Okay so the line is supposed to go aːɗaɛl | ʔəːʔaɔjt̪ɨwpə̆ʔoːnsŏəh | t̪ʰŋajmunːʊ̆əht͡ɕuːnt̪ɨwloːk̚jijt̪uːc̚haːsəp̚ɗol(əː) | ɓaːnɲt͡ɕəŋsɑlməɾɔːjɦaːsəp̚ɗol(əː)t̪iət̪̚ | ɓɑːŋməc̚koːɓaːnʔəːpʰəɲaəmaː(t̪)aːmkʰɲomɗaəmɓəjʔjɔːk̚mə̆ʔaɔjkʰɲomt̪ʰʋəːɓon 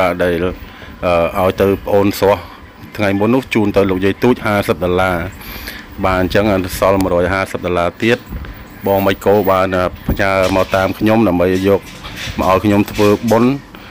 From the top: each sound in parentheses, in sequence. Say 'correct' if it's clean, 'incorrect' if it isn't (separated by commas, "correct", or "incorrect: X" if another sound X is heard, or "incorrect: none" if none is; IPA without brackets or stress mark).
incorrect: aː, incorrect: aː, correct